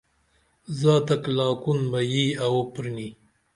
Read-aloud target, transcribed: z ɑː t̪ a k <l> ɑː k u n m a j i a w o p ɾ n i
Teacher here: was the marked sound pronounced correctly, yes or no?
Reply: yes